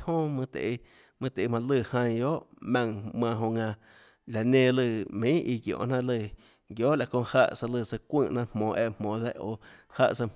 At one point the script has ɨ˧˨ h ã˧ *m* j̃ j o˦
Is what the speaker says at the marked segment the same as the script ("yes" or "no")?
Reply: no